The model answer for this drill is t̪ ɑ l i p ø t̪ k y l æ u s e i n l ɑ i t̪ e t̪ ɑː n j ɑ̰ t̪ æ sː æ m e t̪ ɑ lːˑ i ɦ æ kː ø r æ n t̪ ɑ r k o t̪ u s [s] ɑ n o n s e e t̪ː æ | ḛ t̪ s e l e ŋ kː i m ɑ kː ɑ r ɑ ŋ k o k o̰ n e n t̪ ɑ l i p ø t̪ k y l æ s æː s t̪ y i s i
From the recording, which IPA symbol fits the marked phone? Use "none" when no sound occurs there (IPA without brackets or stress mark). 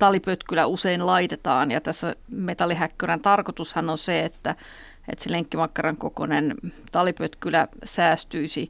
h